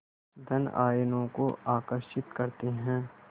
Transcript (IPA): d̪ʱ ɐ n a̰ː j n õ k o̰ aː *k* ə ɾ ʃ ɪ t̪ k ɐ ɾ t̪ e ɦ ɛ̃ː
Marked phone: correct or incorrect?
correct